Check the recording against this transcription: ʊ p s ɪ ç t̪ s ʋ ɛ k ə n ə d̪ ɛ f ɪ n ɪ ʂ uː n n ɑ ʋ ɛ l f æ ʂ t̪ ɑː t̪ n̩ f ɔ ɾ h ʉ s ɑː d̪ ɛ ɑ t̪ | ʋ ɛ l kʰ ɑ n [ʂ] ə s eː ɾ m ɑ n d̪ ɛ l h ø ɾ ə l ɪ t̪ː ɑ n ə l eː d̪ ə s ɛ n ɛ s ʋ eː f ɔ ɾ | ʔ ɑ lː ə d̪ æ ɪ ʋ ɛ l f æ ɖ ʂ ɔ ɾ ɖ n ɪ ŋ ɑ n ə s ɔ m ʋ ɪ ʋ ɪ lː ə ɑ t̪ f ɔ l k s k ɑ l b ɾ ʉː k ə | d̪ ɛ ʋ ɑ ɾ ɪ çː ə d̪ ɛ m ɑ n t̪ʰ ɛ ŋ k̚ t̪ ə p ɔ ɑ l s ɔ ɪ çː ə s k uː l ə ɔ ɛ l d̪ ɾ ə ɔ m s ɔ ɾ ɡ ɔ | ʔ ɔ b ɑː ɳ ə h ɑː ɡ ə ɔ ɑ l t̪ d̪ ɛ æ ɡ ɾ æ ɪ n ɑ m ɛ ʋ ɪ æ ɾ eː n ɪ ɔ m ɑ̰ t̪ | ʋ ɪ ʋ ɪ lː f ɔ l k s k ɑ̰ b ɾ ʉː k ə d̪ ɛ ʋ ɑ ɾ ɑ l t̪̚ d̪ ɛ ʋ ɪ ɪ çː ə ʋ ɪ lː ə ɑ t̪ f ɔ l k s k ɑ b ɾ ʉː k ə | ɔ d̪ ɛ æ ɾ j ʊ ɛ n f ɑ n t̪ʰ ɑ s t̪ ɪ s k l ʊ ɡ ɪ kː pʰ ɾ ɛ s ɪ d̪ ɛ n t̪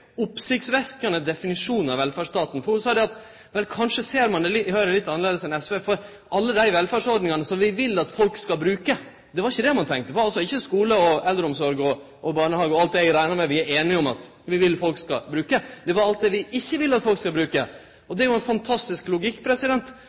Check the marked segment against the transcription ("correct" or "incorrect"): correct